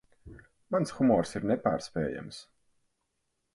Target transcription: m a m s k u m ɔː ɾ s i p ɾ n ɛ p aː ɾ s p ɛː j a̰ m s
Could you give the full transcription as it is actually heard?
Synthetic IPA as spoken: m a n s x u m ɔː ɾ s i ɾ n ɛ p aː ɾ s p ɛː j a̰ m s